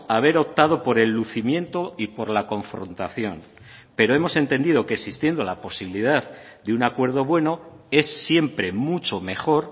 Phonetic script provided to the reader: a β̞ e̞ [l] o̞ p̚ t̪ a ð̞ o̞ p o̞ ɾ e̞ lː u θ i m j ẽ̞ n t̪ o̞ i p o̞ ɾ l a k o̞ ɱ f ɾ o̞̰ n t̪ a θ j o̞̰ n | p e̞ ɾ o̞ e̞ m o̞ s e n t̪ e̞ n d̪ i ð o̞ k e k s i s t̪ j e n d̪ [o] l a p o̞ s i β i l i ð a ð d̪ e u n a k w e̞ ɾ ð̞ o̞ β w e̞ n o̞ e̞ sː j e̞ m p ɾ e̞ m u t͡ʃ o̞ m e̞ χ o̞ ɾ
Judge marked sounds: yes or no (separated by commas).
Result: no, yes